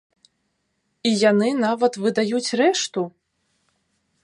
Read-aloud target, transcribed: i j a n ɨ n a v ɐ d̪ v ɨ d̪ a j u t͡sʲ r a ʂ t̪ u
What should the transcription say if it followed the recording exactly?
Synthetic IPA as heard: i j a n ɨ n a v ɐ t̪ v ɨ d̪ a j u t͡sʲ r ɛ ʂ t̪ u